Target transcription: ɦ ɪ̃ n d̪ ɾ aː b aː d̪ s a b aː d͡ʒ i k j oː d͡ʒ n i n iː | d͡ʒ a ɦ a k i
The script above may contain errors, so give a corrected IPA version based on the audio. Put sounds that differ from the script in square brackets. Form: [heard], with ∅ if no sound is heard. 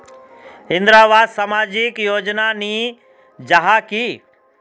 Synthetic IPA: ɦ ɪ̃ n d̪ ɾ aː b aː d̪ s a [m] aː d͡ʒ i k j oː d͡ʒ n [a] n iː | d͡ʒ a ɦ a k i